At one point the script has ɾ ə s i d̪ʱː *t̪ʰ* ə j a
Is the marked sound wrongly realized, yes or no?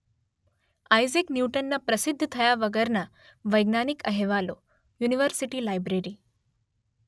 no